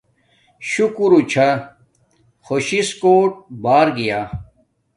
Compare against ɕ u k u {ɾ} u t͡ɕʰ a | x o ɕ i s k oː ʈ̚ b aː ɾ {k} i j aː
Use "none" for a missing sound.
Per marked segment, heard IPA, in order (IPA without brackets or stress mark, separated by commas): ɾ, ɡ